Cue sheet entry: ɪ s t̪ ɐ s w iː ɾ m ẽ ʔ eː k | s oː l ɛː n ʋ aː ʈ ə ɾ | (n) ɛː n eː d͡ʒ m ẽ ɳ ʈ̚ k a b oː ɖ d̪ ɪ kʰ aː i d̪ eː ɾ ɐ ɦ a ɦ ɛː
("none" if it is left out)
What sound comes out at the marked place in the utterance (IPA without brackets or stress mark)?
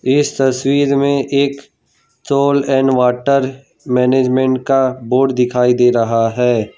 m